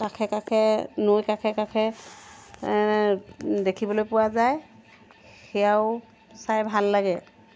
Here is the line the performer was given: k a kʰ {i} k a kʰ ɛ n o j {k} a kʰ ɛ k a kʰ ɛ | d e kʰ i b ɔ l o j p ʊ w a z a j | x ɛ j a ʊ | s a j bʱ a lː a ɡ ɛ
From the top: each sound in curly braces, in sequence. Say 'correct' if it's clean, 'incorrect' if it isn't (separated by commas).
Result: incorrect, correct